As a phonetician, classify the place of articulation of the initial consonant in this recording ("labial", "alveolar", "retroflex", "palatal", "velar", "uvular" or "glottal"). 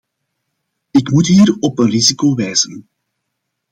velar